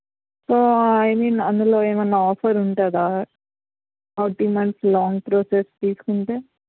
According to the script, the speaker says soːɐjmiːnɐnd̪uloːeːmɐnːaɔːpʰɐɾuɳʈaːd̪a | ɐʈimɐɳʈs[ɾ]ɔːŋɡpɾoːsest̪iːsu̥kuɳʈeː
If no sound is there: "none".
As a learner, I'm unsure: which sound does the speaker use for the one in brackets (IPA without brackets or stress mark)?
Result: l